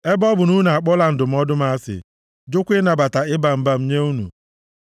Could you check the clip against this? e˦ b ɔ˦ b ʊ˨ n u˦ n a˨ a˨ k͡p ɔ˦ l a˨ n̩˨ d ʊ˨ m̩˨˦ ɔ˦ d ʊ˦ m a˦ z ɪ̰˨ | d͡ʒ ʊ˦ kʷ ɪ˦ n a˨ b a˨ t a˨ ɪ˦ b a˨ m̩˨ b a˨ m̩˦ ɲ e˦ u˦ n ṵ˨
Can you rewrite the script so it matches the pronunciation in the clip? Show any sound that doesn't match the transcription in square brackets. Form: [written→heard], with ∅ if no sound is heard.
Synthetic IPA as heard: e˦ b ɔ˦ b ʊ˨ n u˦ n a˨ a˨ k͡p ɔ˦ l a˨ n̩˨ d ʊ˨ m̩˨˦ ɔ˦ d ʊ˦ m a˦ [z→s] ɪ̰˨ | d͡ʒ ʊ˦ kʷ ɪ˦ n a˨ b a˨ t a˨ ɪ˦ b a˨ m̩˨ b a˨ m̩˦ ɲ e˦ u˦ n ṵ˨